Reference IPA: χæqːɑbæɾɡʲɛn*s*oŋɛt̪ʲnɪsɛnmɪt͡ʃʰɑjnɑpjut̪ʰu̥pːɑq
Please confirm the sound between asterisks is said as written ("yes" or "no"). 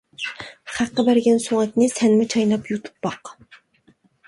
yes